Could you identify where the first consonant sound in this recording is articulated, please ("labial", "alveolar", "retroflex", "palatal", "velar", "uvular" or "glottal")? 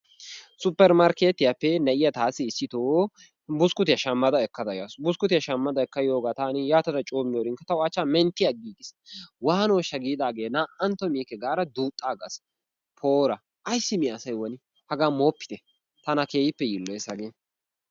alveolar